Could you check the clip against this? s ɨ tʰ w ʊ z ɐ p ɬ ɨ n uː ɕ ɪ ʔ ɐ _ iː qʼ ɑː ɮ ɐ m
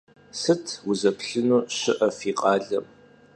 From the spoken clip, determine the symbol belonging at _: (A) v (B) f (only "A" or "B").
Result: B